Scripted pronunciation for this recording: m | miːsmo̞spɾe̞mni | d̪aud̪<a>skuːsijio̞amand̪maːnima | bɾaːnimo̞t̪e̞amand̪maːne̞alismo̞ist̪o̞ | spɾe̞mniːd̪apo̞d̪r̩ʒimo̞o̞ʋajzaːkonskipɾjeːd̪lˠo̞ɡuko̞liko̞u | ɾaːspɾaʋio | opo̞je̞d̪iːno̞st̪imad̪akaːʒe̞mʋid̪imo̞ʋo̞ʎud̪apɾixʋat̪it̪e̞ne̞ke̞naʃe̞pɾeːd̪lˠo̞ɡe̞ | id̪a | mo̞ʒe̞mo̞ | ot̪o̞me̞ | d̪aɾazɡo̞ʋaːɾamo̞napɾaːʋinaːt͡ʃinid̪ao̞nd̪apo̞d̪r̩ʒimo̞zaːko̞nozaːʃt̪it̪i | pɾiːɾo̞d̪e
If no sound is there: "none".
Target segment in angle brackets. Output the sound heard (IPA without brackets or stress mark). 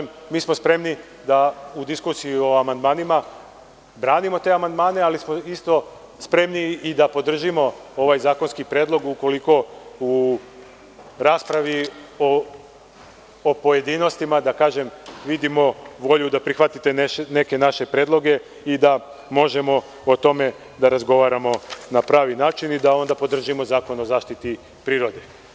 i